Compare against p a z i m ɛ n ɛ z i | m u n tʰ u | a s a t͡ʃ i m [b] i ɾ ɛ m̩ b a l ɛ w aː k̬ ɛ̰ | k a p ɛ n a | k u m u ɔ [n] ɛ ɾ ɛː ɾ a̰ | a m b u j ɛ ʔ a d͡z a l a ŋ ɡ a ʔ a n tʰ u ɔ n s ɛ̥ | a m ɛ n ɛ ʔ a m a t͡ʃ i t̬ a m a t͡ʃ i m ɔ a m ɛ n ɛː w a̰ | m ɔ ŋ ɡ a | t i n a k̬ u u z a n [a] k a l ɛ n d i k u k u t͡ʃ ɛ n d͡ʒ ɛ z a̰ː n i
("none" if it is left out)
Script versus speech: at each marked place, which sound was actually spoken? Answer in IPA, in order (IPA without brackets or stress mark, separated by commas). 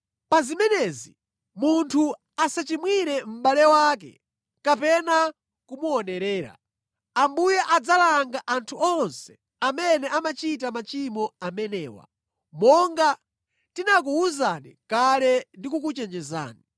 w, n, i